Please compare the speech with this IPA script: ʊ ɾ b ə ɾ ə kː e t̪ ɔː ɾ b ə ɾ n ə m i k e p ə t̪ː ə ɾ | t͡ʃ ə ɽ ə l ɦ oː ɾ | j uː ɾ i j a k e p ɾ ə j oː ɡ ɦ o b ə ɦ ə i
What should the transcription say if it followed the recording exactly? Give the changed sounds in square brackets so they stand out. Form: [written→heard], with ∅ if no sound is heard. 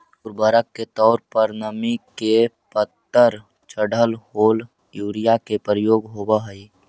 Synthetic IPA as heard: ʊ ɾ b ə ɾ ə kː e t̪ ɔː ɾ [b→p] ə ɾ n ə m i k e p ə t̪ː ə ɾ | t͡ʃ ə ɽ ə l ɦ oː [ɾ→l] | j uː ɾ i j a k e p ɾ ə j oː ɡ ɦ o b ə ɦ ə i